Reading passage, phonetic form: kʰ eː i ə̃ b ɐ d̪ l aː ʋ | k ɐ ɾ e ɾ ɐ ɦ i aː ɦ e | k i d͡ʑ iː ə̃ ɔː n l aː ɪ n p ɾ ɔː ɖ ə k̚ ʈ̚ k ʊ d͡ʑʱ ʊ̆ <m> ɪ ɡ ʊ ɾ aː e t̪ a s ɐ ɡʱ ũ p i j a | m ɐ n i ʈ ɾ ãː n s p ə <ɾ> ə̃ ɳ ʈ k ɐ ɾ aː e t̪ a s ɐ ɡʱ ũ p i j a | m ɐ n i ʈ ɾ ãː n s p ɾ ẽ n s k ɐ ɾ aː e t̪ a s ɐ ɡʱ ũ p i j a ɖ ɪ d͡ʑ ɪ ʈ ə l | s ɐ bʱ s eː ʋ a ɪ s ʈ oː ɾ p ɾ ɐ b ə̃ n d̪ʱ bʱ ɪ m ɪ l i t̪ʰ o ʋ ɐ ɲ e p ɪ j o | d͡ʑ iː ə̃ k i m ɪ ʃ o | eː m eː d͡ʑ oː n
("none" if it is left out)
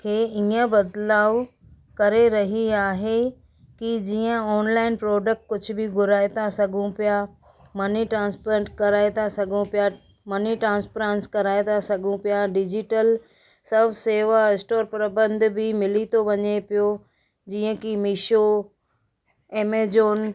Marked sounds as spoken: b, ɾ

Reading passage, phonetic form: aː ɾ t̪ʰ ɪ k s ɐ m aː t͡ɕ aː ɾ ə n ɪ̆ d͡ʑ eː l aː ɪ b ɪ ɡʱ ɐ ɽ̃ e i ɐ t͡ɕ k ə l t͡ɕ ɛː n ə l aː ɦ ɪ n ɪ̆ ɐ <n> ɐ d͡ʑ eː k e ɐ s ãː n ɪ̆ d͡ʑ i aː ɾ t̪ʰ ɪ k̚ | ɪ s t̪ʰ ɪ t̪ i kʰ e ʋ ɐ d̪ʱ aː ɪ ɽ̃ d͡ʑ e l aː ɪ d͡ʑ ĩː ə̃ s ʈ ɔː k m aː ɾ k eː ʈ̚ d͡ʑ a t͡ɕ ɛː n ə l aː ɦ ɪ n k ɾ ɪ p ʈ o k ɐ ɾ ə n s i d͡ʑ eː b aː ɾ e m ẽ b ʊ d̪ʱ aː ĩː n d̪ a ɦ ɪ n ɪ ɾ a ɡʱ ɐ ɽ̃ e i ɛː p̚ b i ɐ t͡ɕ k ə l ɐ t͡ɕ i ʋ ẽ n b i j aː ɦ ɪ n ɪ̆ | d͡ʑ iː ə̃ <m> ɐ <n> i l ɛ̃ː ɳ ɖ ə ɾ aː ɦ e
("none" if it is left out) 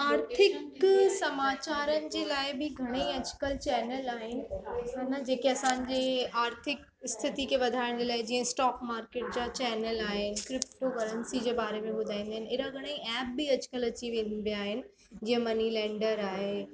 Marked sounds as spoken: n, m, n

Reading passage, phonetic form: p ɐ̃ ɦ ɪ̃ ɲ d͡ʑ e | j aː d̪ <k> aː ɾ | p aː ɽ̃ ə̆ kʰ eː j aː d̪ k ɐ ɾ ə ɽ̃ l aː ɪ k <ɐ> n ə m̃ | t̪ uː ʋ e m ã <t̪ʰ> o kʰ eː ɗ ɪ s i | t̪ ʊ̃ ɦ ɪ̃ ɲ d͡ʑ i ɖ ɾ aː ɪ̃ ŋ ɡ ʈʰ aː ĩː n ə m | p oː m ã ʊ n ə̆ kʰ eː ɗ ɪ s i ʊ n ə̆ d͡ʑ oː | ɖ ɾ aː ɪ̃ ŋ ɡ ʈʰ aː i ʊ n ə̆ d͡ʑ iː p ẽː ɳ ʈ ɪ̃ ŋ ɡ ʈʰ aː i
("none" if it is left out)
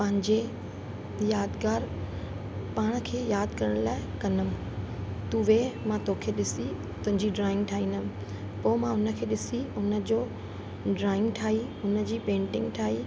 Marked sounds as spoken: ɡ, ɐ, t̪

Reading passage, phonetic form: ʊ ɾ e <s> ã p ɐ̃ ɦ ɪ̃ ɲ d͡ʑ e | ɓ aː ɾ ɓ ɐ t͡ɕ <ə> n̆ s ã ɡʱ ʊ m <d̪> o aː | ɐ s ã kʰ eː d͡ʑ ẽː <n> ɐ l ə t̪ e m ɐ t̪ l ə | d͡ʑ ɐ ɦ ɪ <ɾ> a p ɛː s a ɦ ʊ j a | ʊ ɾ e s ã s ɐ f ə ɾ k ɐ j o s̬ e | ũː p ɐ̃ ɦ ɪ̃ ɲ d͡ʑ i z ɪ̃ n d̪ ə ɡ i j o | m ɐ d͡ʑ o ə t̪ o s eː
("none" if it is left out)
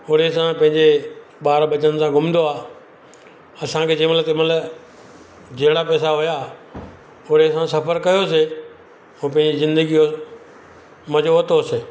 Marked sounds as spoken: s, ə, d̪, m, ɽ

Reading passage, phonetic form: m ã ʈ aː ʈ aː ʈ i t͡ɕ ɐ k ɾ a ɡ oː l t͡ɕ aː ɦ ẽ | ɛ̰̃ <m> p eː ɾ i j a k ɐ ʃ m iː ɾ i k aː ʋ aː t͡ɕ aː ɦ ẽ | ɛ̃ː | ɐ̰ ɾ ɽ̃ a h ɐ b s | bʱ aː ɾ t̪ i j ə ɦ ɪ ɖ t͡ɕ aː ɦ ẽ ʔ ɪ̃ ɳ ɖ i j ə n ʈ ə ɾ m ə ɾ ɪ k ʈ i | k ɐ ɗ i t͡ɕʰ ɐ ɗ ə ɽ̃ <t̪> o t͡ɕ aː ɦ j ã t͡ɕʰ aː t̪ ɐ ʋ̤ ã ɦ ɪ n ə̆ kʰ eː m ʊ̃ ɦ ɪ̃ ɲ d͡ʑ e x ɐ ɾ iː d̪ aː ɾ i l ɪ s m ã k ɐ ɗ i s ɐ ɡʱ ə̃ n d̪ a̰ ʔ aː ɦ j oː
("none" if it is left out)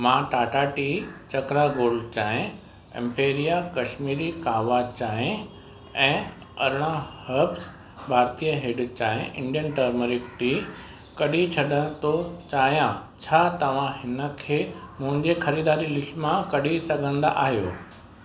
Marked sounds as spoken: m, t̪

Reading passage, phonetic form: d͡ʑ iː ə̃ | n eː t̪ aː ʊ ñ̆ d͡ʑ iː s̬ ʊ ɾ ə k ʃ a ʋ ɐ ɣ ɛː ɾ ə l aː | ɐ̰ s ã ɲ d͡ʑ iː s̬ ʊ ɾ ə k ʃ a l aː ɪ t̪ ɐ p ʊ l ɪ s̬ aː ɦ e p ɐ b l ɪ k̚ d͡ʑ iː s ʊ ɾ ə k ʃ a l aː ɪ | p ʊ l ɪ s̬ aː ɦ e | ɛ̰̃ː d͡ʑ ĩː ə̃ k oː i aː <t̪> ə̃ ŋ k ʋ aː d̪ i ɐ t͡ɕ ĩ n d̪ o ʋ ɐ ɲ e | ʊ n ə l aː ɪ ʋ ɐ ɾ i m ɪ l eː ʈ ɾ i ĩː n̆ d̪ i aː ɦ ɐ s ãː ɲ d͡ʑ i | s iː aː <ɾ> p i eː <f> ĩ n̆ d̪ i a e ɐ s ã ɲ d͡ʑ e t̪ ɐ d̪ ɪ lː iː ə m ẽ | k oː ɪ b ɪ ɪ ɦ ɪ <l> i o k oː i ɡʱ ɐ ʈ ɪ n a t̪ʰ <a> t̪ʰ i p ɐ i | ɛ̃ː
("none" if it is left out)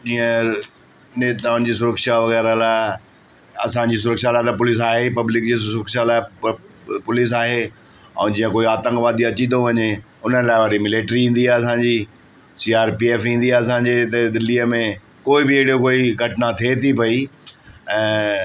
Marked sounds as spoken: t̪, ɾ, f, ɽ, e

